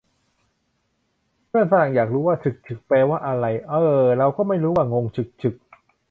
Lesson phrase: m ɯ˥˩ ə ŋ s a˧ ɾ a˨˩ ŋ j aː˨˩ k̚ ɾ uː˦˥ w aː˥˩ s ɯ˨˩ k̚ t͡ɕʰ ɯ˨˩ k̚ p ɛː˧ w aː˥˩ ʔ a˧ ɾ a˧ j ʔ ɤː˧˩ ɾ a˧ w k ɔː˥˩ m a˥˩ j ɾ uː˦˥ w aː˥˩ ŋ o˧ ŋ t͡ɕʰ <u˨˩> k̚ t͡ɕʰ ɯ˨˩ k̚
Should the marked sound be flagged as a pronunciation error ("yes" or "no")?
yes